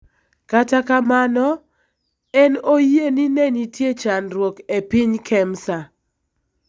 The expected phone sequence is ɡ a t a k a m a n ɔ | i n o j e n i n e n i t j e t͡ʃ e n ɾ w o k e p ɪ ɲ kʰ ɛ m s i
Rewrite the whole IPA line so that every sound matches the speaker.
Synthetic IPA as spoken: k a t a k a m a n ɔ | ɛ n o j e n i n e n i t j e t͡ʃ a n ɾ w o k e p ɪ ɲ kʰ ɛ m s a